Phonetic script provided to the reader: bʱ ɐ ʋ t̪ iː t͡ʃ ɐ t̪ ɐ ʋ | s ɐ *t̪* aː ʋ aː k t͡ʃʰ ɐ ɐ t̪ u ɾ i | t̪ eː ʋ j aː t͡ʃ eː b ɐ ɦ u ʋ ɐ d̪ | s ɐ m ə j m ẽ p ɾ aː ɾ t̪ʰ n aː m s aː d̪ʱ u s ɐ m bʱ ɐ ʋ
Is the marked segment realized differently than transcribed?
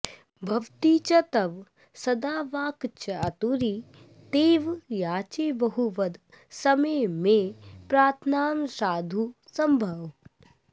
yes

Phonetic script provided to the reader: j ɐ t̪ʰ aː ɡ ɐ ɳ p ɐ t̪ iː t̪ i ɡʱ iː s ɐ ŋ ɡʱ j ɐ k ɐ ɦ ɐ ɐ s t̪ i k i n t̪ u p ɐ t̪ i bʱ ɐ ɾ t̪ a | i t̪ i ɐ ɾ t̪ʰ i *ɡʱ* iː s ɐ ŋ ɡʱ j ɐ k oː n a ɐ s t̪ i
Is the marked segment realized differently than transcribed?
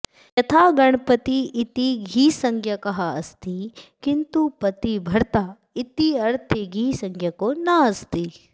no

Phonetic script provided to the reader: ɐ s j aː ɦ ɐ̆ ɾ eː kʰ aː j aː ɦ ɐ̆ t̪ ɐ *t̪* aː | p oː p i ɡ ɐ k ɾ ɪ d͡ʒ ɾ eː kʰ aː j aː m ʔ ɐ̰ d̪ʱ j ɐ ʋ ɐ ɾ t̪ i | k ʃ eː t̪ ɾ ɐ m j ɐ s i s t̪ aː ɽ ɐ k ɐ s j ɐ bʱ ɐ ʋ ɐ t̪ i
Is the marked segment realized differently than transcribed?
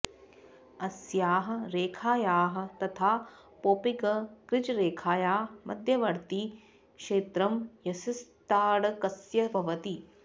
yes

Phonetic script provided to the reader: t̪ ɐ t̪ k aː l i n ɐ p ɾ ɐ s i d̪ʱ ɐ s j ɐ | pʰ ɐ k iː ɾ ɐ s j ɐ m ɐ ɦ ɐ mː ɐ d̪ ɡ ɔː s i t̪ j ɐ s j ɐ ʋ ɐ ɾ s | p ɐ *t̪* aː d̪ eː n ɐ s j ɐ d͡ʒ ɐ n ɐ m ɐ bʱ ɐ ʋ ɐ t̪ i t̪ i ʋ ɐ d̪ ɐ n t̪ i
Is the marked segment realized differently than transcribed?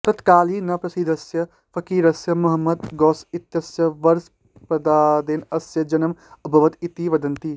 yes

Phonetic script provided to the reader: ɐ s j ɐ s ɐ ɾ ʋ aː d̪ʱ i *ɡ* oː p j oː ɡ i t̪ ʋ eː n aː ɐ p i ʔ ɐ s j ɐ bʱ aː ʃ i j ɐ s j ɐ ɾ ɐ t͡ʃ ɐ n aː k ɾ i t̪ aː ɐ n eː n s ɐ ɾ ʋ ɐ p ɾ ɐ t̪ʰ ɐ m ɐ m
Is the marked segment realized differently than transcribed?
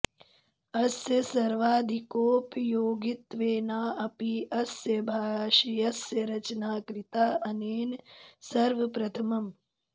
yes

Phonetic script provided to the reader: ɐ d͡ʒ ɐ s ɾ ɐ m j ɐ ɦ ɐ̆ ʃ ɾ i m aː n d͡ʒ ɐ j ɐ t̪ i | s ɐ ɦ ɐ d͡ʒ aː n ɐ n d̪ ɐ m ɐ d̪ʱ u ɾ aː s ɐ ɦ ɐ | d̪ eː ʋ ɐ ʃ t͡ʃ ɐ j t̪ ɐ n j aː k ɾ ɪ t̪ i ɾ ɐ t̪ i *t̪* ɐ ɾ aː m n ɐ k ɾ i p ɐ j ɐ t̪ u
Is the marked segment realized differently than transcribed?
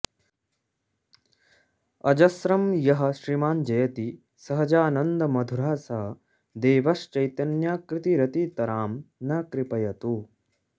no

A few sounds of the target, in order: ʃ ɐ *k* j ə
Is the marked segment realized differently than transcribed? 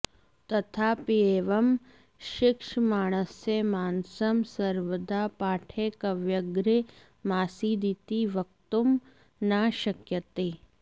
no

